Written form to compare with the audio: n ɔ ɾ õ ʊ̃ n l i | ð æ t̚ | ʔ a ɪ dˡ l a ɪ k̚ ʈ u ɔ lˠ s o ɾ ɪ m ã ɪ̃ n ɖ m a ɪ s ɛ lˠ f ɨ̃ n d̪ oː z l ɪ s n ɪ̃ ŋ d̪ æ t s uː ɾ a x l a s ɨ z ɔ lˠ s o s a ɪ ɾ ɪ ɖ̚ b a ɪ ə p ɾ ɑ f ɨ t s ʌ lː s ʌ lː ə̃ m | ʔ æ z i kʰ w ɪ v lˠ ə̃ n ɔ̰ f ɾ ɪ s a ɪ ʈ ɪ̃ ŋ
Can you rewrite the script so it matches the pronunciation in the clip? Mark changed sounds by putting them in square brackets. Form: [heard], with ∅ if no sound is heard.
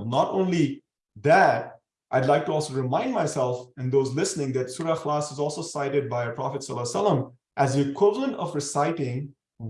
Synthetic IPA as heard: n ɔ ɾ õ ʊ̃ n l i | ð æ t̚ | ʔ a ɪ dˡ l a ɪ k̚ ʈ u ɔ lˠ s o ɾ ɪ m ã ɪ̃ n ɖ m a ɪ s ɛ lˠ f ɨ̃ n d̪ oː z l ɪ s n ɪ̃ ŋ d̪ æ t s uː ɾ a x l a s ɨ z ɔ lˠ s o s a ɪ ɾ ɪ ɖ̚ b a ɪ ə p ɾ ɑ f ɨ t s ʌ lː s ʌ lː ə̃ m | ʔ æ z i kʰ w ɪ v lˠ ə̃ n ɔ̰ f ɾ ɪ s a ɪ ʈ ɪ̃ ŋ